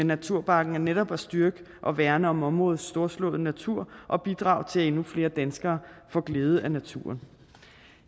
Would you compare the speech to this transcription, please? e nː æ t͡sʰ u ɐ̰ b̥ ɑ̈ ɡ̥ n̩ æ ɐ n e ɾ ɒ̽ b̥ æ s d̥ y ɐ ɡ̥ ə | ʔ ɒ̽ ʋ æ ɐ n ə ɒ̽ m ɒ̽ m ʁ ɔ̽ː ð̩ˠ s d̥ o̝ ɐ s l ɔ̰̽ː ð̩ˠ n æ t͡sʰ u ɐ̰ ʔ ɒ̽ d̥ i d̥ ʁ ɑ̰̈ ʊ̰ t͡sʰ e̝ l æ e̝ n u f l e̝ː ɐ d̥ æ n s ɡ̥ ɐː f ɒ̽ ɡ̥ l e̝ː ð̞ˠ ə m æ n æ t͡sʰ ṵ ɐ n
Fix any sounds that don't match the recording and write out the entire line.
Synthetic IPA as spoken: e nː æ t͡sʰ u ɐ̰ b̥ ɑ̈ ɡ̥ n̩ æ ɐ n e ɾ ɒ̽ b̥ æ s d̥ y ɐ ɡ̥ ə | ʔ ɒ̽ ʋ æ ɐ n ə ɒ̽ m ɒ̽ m ʁ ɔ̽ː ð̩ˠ s d̥ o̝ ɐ s l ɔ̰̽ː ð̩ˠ n æ t͡sʰ u ɐ̰ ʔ ɒ̽ b̥ i d̥ ʁ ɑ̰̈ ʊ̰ t͡sʰ e̝ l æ e̝ n u f l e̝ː ɐ d̥ æ n s ɡ̥ ɐː f ɒ̽ ɡ̥ l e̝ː ð̞ˠ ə æ n æ t͡sʰ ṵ ɐ n

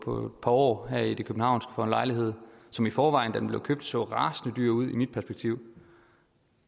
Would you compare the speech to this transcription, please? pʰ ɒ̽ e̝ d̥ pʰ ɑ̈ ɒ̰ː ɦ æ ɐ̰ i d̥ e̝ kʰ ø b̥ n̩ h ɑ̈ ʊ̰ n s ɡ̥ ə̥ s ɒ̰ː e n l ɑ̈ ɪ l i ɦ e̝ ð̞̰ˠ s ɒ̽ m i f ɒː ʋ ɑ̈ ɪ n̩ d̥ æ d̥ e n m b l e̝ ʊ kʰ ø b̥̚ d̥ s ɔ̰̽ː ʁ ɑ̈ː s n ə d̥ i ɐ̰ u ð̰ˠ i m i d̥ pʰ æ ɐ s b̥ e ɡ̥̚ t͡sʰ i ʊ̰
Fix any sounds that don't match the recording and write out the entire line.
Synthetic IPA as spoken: pʰ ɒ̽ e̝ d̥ pʰ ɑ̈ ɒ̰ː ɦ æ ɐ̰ i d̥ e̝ kʰ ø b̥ n̩ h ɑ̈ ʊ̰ n s ɡ̥ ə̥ f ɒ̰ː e n l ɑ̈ ɪ l i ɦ e̝ ð̞̰ˠ s ɒ̽ m i f ɒː ʋ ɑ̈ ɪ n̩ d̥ æ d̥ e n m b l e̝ ʊ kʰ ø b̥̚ d̥ s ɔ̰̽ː ʁ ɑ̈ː s n ə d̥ y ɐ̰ u ð̰ˠ i m i d̥ pʰ æ ɐ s b̥ e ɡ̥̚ t͡sʰ i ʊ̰

